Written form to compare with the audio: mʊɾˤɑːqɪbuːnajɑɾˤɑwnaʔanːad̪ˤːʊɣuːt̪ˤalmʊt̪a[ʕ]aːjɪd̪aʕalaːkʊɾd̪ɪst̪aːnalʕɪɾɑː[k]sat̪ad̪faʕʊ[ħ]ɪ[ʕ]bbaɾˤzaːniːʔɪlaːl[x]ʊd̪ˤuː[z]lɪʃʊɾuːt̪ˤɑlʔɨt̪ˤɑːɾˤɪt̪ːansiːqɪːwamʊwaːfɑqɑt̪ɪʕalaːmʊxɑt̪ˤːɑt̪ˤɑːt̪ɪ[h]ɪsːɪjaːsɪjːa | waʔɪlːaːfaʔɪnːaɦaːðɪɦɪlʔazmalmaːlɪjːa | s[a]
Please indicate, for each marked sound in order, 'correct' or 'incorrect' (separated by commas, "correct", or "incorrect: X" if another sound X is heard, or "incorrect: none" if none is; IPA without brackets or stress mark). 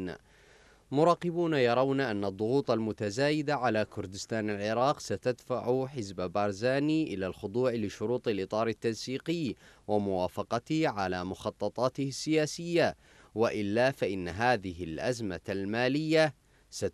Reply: incorrect: z, incorrect: q, correct, incorrect: z, correct, incorrect: ʕ, correct, correct